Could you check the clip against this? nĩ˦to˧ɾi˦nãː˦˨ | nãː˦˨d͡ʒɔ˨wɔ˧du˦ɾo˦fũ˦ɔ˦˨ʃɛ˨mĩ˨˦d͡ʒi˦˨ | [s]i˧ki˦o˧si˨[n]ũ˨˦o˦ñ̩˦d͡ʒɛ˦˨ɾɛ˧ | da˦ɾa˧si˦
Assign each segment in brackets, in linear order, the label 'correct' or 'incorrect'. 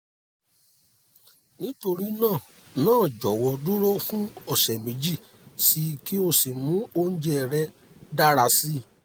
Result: correct, incorrect

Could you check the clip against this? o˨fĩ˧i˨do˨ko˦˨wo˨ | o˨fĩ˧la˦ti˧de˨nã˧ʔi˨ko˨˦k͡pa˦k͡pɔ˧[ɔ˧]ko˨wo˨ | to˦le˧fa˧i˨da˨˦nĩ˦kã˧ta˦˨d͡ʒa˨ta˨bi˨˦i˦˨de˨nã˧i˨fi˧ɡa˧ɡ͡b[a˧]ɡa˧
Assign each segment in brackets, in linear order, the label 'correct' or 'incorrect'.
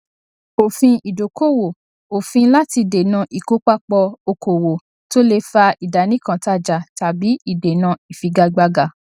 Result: incorrect, correct

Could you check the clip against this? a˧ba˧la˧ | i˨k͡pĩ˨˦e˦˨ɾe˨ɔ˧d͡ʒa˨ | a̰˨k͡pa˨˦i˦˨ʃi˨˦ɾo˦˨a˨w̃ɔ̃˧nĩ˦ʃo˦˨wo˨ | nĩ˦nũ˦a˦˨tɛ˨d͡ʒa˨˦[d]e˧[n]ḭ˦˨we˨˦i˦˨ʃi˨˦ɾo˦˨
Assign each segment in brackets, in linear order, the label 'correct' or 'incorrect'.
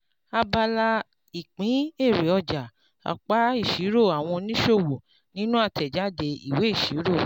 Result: correct, incorrect

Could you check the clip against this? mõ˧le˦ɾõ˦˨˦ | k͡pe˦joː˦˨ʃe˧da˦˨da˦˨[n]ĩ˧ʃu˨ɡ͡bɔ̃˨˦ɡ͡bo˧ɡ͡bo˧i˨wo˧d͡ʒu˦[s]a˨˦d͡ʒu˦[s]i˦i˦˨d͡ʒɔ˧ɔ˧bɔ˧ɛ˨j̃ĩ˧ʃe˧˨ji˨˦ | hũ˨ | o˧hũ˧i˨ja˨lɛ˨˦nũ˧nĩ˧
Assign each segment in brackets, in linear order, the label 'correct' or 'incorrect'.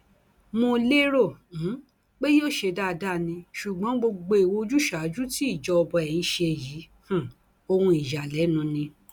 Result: correct, incorrect, incorrect

